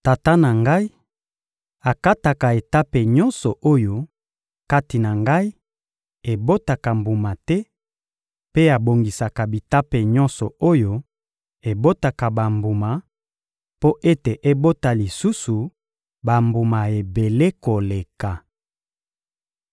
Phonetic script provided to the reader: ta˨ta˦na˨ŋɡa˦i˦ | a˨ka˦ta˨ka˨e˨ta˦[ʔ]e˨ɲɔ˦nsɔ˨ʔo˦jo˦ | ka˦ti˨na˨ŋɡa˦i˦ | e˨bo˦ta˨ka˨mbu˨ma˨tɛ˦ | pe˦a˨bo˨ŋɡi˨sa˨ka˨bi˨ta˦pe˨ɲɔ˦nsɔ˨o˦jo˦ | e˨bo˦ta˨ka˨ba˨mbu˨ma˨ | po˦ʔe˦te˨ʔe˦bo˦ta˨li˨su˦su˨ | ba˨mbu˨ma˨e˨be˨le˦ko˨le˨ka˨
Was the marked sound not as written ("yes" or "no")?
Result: yes